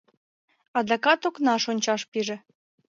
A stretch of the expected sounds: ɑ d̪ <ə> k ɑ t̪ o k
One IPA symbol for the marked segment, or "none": ɑ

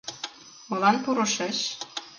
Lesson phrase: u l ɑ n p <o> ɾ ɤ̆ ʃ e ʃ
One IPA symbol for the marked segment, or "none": u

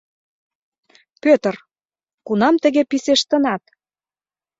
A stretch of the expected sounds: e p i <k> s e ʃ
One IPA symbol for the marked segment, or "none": none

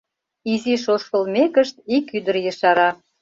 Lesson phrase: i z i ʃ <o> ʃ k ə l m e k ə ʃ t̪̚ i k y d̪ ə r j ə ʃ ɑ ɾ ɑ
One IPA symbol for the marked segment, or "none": o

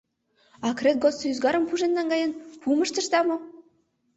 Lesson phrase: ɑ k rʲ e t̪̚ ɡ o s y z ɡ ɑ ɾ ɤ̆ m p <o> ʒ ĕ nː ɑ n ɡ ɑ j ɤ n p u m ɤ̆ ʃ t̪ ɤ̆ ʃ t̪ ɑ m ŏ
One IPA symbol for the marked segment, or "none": u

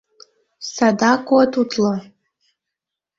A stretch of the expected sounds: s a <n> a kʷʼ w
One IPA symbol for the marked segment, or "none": d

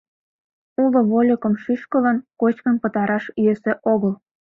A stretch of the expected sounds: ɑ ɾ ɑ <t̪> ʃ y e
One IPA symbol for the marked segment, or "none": none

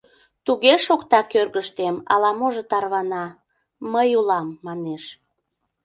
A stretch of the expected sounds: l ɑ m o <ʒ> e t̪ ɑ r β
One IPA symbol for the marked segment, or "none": ʒ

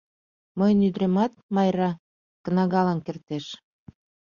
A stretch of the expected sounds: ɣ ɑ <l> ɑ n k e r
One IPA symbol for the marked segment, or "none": l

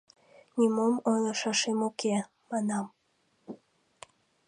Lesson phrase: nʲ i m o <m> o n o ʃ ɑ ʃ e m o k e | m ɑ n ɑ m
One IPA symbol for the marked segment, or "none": m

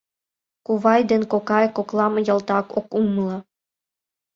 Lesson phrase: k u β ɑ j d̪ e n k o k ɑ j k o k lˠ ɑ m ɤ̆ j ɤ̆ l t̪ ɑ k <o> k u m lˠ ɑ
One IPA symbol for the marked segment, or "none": o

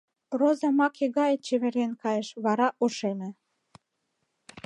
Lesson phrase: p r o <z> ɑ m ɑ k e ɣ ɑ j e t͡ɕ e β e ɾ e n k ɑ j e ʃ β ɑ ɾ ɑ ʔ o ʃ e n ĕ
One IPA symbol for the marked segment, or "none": z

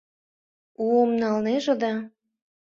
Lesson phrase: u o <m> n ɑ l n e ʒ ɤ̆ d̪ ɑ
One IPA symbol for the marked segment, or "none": m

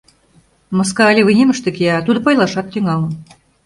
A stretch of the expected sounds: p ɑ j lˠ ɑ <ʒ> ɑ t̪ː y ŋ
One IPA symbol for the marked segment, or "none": ʃ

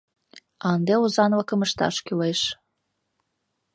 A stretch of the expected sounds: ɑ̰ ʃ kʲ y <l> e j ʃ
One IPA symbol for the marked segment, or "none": l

